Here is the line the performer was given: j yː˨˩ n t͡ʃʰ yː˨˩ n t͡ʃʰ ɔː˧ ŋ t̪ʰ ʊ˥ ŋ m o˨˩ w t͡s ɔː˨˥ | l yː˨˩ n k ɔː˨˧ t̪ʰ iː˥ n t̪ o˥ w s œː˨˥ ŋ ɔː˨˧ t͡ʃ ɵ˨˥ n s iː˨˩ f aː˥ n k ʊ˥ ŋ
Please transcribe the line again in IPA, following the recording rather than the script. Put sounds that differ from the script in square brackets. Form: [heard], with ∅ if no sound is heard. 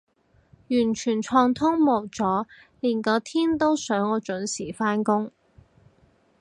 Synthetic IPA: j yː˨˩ n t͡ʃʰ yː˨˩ n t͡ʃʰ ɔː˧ ŋ t̪ʰ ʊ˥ ŋ m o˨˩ w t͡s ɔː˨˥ | l [iː˨˩] n k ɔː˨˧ t̪ʰ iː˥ n t̪ o˥ w s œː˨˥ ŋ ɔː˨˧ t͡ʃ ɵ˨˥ n s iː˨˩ f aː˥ n k ʊ˥ ŋ